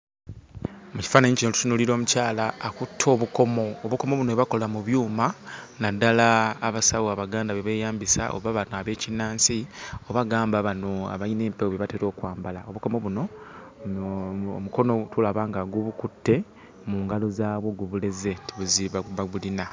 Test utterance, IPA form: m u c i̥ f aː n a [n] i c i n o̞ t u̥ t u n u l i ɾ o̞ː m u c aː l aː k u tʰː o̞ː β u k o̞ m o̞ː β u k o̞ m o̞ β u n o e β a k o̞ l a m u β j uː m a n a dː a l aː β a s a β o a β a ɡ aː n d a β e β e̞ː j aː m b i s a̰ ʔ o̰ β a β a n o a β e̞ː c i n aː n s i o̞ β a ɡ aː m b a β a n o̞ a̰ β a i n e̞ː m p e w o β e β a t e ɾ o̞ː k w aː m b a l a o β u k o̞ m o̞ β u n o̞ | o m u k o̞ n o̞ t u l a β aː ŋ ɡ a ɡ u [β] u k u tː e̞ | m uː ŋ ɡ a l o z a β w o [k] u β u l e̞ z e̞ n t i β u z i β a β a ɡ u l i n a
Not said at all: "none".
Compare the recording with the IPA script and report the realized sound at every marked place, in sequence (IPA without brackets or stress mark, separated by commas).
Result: ɲ, β, ɡ